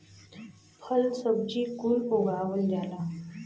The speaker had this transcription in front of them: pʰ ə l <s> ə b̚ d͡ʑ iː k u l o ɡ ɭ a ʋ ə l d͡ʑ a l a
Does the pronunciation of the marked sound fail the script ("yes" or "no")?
no